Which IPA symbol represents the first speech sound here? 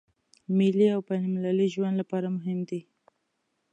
m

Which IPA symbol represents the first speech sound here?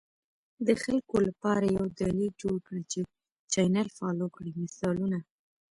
d̪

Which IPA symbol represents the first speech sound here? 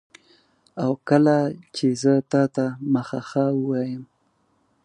a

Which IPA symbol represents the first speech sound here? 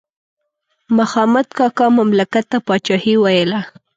m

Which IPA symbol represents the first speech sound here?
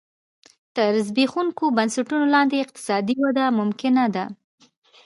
t̪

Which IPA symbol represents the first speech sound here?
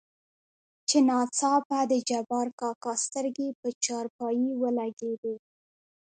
t͡ʃ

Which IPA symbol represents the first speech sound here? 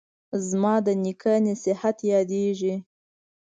z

